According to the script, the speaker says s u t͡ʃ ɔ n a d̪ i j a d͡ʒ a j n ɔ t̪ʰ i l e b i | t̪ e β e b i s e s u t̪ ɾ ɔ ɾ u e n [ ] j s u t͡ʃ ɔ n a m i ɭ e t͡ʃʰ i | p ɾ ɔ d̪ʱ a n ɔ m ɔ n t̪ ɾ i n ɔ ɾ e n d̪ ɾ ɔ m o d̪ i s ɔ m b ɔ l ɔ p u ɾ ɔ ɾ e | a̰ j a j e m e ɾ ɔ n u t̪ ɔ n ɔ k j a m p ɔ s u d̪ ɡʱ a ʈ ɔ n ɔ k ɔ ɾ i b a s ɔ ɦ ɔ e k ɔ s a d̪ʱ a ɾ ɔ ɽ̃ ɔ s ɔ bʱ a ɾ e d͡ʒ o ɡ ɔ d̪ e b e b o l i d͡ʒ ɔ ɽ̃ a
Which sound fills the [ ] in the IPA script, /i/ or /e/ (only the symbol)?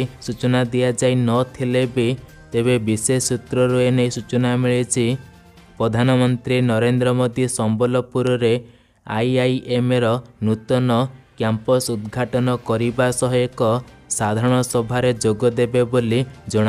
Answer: e